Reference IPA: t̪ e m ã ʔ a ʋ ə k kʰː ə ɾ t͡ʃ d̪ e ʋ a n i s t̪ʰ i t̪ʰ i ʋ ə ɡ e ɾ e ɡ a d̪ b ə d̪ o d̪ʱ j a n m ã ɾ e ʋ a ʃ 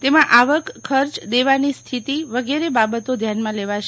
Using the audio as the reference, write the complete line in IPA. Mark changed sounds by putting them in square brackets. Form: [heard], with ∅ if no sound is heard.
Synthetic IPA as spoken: t̪ e m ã ʔ a ʋ ə k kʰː ə ɾ t͡ʃ d̪ e ʋ a n i s t̪ʰ i [t̪] i ʋ ə ɡ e ɾ e [b] a [∅] b ə [t̪] o d̪ʱ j a n m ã [l] e ʋ a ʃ